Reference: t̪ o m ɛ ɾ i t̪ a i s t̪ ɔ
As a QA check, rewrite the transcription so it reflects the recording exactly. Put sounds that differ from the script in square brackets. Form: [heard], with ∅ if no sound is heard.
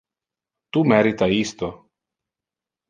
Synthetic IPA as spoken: t̪ [u] m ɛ ɾ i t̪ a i s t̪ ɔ